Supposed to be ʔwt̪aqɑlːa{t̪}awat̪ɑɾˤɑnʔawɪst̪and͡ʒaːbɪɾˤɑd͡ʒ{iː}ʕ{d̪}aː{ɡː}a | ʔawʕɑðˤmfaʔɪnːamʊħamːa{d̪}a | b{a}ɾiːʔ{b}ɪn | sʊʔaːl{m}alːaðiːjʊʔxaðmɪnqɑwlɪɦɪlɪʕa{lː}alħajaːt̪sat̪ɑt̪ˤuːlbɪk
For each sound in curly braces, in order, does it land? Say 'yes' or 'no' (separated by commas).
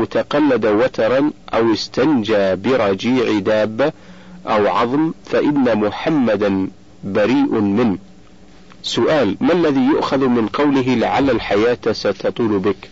no, yes, yes, no, yes, yes, no, yes, yes